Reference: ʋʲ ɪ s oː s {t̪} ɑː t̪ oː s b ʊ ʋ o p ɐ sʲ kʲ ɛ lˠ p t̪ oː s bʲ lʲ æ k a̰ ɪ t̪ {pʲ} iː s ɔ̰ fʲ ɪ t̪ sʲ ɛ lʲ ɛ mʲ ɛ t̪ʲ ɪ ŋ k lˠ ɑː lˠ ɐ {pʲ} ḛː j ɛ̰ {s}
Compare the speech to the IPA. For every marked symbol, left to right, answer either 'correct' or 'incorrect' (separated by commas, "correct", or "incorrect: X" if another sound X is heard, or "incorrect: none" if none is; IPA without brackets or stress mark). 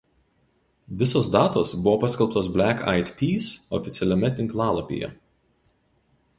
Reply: incorrect: d̪, correct, correct, incorrect: none